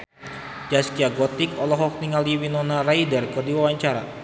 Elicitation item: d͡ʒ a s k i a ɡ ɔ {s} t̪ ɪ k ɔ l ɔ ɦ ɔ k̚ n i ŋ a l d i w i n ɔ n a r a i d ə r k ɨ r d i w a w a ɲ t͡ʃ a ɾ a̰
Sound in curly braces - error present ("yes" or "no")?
yes